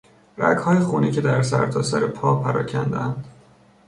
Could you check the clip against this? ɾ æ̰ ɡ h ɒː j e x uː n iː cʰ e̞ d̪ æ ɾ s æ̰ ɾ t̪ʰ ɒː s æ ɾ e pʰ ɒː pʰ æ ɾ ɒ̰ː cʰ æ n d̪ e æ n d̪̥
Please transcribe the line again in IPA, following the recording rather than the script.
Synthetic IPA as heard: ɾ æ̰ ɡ h ɒː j e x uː n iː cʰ e̞ d̪ æ ɾ s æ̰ ɾ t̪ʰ ɒː s æ ɾ e pʰ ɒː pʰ æ ɾ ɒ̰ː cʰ æ n d̪ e æ n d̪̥